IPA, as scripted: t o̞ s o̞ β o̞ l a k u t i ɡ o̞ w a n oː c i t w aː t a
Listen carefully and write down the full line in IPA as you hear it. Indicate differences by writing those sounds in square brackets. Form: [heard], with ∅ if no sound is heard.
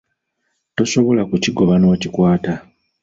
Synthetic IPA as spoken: t o̞ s o̞ β o̞ l a k u [c] i ɡ o̞ [β] a n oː c i [k] w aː t a